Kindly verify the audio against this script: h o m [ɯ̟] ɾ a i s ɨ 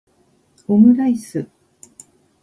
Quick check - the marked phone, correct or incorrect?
correct